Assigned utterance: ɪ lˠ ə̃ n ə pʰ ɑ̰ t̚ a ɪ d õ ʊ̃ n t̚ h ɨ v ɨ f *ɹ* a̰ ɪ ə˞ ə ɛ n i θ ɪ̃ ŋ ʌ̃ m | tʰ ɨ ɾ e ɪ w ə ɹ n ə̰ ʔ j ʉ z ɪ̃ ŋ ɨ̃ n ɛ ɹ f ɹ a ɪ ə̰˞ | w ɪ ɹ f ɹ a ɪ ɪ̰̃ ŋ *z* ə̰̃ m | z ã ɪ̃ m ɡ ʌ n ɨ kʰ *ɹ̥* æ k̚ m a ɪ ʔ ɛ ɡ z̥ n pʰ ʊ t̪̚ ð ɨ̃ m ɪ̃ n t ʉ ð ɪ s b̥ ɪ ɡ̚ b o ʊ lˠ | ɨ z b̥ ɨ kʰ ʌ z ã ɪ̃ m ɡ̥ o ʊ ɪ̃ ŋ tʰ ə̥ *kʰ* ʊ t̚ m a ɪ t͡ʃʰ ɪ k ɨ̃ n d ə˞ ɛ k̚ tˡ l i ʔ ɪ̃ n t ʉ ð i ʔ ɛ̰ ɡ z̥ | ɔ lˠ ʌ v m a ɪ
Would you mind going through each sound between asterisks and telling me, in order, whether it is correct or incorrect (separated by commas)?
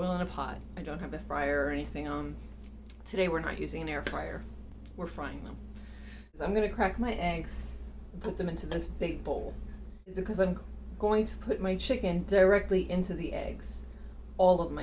correct, incorrect, correct, incorrect